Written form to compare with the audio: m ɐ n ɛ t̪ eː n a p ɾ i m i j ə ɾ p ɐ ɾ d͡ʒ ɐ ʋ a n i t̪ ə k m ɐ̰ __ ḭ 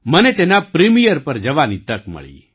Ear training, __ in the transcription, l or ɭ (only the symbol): ɭ